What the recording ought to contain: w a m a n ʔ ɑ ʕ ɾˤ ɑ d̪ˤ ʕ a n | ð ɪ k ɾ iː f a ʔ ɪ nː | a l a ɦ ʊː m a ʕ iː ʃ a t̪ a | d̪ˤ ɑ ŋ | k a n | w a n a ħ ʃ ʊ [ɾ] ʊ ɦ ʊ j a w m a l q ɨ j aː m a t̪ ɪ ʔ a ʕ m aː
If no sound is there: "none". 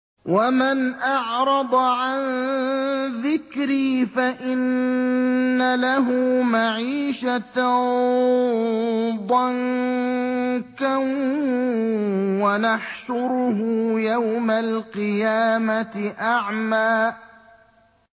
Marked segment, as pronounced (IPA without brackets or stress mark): ɾ